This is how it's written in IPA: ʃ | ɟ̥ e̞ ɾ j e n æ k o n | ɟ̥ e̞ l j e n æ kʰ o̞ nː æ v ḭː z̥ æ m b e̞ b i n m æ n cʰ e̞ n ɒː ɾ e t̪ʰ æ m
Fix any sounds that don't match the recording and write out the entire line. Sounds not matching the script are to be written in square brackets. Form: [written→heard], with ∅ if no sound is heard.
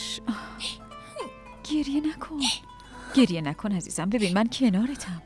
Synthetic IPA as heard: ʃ | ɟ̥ e̞ ɾ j e n æ [k→kʰ] o n | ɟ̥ e̞ [l→ɾ] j e n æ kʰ o̞ [nː→n] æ [v→z] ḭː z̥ æ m b e̞ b i n m æ n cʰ e̞ n ɒː ɾ e t̪ʰ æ m